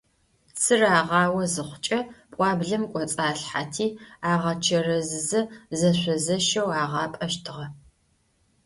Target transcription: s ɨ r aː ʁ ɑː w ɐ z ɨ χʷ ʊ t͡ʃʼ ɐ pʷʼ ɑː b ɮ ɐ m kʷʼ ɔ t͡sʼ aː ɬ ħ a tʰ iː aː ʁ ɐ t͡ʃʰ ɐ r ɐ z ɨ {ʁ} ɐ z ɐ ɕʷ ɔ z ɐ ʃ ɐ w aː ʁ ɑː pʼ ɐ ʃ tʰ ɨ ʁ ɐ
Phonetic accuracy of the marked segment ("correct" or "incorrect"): incorrect